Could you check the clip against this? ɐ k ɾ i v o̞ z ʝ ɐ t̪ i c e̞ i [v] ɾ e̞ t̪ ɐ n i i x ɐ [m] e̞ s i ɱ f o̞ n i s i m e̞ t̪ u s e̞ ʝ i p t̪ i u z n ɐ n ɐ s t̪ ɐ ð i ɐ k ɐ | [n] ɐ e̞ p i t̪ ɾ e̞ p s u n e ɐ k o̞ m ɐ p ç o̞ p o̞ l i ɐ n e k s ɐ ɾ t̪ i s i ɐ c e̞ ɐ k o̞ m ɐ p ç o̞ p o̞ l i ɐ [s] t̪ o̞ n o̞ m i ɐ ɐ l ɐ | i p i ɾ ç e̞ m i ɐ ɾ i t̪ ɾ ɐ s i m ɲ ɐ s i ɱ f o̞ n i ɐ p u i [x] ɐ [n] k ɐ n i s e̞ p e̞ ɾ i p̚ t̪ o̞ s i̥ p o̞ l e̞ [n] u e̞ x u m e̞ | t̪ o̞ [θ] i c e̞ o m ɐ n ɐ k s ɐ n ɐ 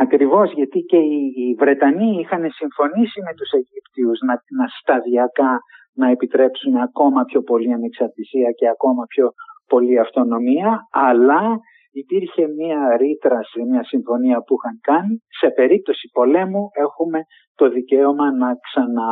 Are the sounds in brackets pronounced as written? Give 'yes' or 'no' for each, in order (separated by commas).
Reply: yes, no, yes, no, yes, no, no, no